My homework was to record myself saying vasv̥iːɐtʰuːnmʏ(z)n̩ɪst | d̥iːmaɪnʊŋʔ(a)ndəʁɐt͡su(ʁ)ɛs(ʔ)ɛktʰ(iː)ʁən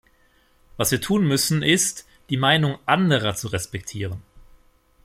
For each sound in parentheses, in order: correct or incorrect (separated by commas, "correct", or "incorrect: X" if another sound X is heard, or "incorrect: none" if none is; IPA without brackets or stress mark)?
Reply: incorrect: s, correct, correct, incorrect: p, correct